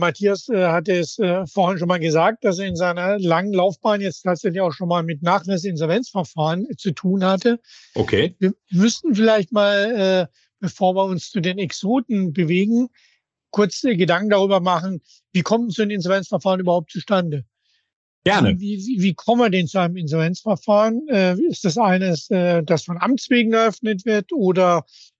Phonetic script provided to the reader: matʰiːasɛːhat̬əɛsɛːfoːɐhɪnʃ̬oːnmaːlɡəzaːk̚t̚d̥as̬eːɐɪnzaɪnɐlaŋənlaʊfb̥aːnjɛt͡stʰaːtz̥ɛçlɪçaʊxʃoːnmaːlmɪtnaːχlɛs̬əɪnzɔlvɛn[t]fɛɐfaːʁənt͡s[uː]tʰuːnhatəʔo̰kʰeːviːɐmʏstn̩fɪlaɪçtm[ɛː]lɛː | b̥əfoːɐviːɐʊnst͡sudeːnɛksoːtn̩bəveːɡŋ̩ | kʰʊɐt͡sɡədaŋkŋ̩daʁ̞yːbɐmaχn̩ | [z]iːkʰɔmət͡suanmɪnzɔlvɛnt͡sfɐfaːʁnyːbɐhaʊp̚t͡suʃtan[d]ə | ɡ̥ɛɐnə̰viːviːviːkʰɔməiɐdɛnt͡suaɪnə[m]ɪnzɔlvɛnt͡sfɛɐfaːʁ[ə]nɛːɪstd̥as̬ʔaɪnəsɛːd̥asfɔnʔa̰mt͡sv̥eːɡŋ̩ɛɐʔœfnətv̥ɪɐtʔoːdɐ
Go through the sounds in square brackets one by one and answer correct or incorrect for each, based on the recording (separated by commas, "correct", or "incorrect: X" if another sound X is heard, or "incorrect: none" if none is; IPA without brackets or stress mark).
incorrect: t͡s, incorrect: u, incorrect: aː, incorrect: v, correct, correct, correct